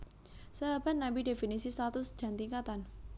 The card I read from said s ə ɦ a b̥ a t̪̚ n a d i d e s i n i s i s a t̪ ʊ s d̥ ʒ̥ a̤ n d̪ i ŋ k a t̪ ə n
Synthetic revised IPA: s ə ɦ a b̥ a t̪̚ n a b i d e f i n i s i s a t̪ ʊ s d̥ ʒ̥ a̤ n t̪ i ŋ k a t̪ a n